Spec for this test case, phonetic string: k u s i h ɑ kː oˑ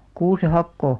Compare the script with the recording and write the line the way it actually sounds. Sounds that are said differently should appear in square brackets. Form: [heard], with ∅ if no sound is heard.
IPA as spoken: k [uː] s [e] h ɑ kː oˑ